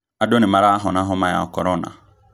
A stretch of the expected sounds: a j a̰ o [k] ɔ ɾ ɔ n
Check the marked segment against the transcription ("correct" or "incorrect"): correct